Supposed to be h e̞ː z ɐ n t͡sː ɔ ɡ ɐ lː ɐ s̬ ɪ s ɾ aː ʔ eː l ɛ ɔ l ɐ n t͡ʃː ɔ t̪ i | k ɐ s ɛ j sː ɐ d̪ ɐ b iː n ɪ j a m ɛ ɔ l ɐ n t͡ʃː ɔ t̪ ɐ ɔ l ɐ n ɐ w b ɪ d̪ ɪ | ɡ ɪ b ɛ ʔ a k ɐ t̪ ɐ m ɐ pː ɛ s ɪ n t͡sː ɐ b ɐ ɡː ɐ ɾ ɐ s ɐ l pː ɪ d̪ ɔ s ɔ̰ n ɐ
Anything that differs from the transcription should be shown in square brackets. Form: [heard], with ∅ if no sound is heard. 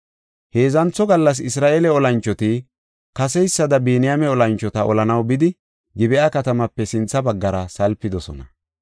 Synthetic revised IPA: h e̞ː z ɐ n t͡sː ɔ ɡ ɐ lː ɐ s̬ ɪ s ɾ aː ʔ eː l ɛ ɔ l ɐ n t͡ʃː ɔ t̪ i | k ɐ s ɛ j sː ɐ d̪ ɐ b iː n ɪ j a m ɛ ɔ l ɐ n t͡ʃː ɔ t̪ ɐ ɔ l ɐ n ɐ w b ɪ d̪ ɪ | ɡ ɪ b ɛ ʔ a k ɐ t̪ ɐ m ɐ pː ɛ s ɪ n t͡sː ɐ b ɐ ɡː ɐ ɾ ɐ s ɐ l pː ɪ d̪ ɔ s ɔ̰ n ɐ